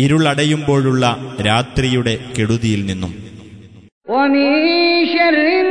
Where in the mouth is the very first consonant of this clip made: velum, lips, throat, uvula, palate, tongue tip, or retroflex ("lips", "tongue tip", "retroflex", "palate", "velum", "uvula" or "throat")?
tongue tip